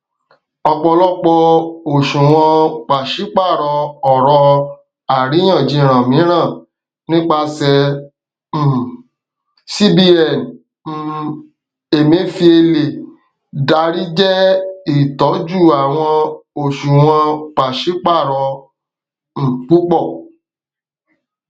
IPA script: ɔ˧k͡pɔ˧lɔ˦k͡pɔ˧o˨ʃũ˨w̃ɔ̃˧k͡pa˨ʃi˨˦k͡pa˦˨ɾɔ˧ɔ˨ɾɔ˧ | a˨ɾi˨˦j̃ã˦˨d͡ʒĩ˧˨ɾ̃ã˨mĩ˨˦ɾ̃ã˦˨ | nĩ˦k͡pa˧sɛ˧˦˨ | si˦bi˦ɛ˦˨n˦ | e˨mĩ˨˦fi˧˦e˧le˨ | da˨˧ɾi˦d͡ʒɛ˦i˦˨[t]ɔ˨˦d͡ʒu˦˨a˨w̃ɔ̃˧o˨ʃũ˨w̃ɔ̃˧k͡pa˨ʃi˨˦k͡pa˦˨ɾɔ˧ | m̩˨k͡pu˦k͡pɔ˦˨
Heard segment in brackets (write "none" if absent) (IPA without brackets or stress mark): t